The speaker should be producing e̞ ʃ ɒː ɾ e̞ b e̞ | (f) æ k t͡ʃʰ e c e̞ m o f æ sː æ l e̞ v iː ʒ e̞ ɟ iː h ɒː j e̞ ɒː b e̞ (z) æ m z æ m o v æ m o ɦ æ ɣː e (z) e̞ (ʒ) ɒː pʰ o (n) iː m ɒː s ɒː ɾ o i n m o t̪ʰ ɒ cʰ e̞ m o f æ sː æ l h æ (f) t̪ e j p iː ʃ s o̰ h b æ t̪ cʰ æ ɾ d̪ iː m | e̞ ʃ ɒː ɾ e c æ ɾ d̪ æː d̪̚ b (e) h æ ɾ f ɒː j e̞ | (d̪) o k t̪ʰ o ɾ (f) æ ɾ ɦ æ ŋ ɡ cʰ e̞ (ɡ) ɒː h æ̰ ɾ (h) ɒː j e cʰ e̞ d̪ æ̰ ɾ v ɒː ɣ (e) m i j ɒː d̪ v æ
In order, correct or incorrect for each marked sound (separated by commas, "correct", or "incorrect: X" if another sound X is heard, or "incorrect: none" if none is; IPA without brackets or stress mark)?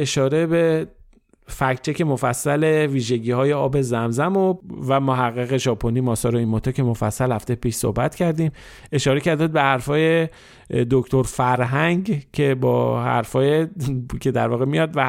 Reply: correct, correct, incorrect: ɣ, correct, correct, correct, correct, correct, correct, incorrect: b, incorrect: f, correct